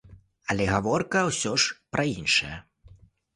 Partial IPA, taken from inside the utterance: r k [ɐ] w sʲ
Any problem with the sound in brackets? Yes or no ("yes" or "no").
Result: no